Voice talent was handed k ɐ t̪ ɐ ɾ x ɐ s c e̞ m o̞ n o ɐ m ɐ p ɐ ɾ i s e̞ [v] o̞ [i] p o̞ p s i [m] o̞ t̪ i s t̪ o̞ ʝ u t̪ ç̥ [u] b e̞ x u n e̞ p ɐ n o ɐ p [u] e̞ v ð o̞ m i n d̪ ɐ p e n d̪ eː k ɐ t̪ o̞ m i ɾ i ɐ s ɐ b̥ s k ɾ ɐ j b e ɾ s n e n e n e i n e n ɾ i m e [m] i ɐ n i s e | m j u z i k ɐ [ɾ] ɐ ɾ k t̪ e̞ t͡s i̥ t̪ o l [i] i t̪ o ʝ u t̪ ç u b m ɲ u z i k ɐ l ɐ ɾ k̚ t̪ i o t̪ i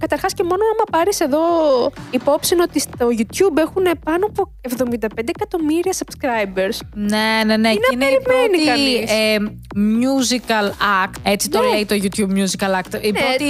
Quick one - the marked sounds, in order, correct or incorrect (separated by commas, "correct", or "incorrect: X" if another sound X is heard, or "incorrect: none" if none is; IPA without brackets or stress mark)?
incorrect: ð, correct, incorrect: n, correct, incorrect: o, incorrect: n, incorrect: l, incorrect: e